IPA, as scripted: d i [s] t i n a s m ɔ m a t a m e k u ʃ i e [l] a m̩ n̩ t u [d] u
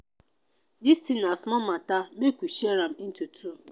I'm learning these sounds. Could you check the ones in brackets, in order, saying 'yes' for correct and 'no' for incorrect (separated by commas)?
yes, no, no